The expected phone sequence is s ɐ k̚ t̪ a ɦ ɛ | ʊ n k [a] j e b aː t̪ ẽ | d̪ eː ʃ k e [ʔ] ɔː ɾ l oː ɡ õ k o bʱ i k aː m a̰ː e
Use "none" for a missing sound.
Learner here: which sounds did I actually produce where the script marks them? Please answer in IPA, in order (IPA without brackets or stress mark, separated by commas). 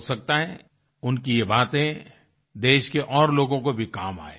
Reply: i, ʔ